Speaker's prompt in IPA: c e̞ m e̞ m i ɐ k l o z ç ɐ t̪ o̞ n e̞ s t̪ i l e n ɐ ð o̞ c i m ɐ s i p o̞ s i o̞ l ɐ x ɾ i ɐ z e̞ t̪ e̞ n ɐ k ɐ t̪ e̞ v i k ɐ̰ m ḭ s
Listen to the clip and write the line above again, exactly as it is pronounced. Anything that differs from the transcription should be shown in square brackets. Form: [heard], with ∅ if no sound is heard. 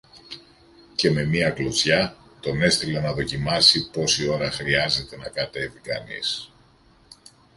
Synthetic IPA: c e̞ m e̞ m i ɐ k l o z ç ɐ t̪ o̞ n e̞ s t̪ i l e n ɐ ð o̞ c i m ɐ s i p o̞ s i o̞ [ɾ] ɐ x ɾ i ɐ z e̞ t̪ e̞ n ɐ k ɐ t̪ e̞ v i k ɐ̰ [n] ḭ s